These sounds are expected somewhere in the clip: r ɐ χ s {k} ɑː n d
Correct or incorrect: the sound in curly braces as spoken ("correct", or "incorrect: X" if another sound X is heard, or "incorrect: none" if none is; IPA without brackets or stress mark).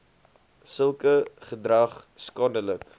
correct